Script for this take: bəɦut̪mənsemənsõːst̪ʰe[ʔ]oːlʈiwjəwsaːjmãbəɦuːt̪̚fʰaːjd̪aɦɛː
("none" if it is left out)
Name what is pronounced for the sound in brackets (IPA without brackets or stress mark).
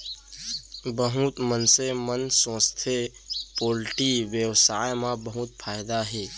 p